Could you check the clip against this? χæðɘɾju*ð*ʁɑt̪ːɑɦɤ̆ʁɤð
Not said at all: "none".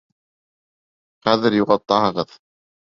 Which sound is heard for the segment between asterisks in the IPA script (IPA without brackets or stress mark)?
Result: none